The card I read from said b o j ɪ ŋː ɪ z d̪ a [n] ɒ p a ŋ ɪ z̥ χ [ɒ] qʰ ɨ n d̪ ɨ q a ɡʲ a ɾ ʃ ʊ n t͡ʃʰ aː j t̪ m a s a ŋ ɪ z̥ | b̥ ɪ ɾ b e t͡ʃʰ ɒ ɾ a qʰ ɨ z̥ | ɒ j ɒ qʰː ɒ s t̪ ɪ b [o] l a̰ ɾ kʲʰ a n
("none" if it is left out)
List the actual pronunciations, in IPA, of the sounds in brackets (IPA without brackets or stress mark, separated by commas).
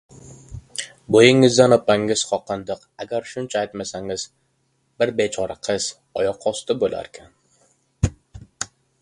n, ɒ, o